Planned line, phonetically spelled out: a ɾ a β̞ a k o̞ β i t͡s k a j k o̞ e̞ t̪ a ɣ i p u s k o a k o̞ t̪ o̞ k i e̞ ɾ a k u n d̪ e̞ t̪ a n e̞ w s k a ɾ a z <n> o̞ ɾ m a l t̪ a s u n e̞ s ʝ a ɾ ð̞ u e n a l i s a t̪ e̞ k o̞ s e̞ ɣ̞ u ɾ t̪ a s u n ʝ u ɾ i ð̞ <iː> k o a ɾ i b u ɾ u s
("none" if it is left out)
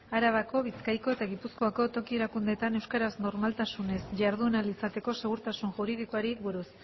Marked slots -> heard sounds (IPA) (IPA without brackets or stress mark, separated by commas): n, i